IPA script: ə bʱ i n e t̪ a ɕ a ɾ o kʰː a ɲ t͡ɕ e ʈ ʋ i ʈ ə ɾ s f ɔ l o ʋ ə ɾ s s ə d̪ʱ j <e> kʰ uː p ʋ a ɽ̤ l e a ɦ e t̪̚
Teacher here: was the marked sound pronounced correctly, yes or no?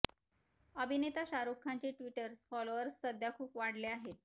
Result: no